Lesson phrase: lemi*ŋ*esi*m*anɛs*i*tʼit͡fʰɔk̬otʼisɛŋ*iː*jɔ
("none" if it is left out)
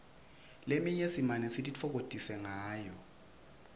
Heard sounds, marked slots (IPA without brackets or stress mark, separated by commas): ɲ, m, i, aː